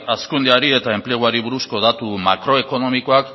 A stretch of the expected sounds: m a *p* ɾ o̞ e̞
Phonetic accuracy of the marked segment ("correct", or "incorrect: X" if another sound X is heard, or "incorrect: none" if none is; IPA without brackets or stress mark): incorrect: k